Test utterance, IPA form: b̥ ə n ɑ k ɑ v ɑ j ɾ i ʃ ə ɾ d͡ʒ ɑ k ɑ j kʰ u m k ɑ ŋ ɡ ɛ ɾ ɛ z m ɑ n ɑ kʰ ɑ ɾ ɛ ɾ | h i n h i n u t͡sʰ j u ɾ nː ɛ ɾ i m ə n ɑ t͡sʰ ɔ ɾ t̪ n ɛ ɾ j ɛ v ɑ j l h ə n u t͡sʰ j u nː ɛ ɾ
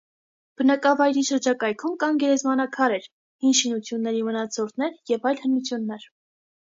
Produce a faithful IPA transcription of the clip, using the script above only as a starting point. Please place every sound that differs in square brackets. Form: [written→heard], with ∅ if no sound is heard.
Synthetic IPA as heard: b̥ ə n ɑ k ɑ v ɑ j ɾ i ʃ ə ɾ d͡ʒ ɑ k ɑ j kʰ u m k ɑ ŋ ɡ ɛ ɾ ɛ z m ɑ n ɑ kʰ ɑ ɾ ɛ ɾ | h i n [h→ʃ] i n u t͡sʰ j u [ɾ→∅] nː ɛ ɾ i m ə n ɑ t͡sʰ ɔ ɾ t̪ n ɛ ɾ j ɛ v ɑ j l h ə n u t͡sʰ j u nː ɛ ɾ